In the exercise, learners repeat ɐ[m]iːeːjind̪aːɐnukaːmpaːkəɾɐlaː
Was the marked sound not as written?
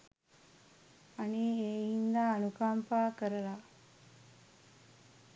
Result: yes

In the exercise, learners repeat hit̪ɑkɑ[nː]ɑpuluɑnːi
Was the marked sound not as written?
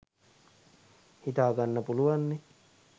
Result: no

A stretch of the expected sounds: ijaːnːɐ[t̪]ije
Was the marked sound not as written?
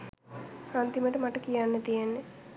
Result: no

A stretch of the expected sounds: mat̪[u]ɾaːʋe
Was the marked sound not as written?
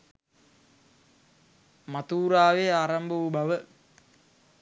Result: yes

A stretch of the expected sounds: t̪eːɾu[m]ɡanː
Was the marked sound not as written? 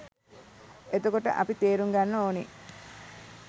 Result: yes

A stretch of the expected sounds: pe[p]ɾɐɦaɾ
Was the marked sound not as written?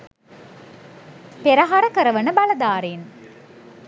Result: yes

